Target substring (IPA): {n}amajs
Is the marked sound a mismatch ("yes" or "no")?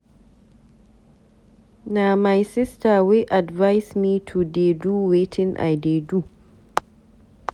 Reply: no